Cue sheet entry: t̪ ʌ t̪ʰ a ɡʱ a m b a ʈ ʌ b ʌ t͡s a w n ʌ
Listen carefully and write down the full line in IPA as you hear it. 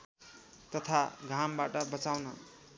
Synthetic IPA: t̪ ʌ t̪ʰ a ɡʱ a m b a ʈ ʌ b ʌ t͡s a w n ʌ